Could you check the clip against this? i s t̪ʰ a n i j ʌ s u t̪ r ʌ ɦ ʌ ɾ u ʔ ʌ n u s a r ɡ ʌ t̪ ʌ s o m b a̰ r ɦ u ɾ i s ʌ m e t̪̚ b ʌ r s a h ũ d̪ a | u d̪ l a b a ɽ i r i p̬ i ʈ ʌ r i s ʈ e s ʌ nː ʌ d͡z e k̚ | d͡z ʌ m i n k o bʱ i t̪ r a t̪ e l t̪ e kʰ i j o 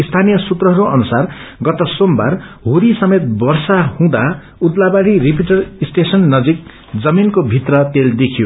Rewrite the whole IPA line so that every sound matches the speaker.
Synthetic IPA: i s t̪ʰ a n i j ʌ s u t̪ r ʌ ɦ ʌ ɾ u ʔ ʌ n u s a r ɡ ʌ t̪ ʌ s o m b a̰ r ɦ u ɾ i s ʌ m e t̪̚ b ʌ r s a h ũ d̪ a | u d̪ l a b a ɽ i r i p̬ i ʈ ʌ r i s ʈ e s ʌ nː ʌ d͡z i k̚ | d͡z ʌ m i n k o bʱ i t̪ r ʌ t̪ e l d̪ e kʰ i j o